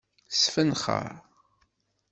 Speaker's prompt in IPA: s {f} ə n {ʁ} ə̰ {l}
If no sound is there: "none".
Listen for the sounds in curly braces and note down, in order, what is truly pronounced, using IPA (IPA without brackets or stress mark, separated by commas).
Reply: f, χ, ɾ